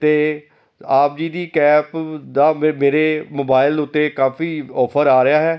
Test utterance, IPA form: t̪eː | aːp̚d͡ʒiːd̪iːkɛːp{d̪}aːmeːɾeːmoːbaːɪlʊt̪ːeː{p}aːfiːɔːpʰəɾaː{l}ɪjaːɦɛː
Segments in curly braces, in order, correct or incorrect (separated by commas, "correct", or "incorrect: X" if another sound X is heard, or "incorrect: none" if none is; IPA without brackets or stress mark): correct, incorrect: k, incorrect: ɾ